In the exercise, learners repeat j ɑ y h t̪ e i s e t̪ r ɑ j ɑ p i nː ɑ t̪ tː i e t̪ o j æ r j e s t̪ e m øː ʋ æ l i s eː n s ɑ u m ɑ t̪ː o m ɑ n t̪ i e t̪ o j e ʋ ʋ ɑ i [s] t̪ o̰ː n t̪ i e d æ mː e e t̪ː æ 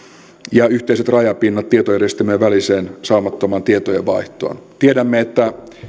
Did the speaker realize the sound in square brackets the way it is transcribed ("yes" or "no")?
no